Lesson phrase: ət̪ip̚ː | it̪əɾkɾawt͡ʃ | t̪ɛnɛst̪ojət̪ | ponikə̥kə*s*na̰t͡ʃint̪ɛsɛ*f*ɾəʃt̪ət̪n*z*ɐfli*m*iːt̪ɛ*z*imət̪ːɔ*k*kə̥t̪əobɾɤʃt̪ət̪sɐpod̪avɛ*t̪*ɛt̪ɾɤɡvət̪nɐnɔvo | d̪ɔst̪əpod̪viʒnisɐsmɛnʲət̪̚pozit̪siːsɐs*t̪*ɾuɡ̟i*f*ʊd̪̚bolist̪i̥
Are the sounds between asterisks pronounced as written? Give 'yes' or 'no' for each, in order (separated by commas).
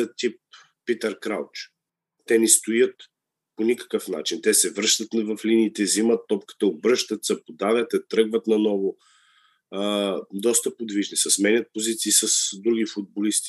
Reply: no, no, no, no, yes, no, yes, no, yes